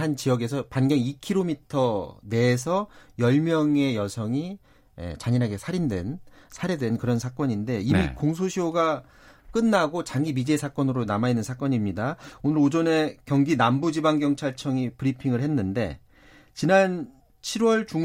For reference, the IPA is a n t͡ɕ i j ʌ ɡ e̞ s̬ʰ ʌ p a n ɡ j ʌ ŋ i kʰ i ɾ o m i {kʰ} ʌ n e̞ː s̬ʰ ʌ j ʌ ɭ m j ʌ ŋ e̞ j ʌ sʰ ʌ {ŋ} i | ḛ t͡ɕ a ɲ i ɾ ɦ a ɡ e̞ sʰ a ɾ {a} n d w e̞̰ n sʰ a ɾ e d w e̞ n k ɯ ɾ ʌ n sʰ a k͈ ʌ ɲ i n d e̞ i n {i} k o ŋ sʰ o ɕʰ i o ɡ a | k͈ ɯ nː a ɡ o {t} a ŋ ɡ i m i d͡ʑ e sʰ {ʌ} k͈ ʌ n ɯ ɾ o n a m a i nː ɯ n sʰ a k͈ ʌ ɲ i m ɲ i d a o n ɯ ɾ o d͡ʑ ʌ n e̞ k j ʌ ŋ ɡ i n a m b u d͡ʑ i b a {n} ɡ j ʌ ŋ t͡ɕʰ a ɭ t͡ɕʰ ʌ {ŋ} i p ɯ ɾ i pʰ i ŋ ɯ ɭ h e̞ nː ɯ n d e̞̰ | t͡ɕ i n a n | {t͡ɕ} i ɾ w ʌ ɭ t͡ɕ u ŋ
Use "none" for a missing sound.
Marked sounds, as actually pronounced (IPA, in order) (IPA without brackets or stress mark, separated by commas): tʰ, ŋ, i, i, t͡ɕ, a, ŋ, ŋ, t͡ɕʰ